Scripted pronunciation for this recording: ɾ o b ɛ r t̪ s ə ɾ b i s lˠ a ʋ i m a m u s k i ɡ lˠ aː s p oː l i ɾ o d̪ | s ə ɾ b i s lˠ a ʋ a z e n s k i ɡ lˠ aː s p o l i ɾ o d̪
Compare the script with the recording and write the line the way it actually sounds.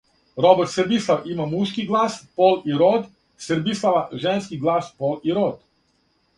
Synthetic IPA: ɾ o b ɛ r t̪ s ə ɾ b i s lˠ a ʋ i m a m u ʃ k i ɡ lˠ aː s p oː l i ɾ o d̪ | s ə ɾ b i s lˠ a ʋ a ʒ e n s k i ɡ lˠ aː s p o l i ɾ o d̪

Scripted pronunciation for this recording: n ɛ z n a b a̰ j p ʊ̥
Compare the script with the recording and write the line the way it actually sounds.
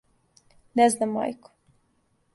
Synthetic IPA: n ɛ z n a m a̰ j k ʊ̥

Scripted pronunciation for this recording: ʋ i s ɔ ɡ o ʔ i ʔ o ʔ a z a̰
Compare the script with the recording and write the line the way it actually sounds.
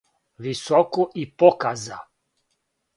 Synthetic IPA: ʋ i s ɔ k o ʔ i p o k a z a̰

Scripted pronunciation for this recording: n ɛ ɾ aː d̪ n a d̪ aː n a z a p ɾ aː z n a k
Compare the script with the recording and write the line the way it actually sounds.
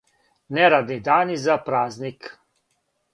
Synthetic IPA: n ɛ ɾ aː d̪ n i d̪ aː n i z a p ɾ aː z n i k

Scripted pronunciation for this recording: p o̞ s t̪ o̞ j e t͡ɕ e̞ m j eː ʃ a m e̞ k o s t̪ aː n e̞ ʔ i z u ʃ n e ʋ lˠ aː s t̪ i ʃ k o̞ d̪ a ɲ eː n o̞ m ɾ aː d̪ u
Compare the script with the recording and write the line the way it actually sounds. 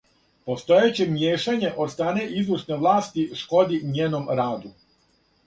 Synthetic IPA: p o̞ s t̪ o̞ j e t͡ɕ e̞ m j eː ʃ a ɲ e̞ ʔ o s t̪ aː n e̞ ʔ i z u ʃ n e ʋ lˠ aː s t̪ i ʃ k o̞ d̪ i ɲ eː n o̞ m ɾ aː d̪ u

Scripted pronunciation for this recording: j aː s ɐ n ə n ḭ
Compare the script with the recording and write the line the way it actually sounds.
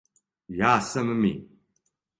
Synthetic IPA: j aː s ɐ m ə m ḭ

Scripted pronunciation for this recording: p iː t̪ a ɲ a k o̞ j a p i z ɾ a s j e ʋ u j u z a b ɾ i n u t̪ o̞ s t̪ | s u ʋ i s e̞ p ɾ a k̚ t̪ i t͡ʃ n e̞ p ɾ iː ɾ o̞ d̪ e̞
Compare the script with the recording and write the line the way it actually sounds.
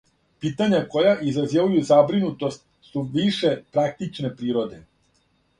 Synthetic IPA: p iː t̪ a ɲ a k o̞ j a ʔ i z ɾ a z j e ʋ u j u z a b ɾ i n u t̪ o̞ s t̪ | s u ʋ i ʃ e̞ p ɾ a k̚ t̪ i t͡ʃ n e̞ p ɾ iː ɾ o̞ d̪ e̞

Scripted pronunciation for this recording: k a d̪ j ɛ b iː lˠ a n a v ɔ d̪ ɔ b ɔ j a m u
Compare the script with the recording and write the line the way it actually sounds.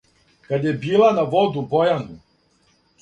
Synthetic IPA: k a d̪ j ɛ b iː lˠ a n a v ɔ d̪ u b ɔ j a n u

